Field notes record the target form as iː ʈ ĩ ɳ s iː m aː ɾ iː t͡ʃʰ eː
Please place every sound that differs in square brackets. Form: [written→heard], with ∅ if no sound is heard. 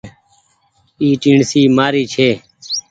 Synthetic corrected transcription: iː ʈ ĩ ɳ s iː m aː ɾ iː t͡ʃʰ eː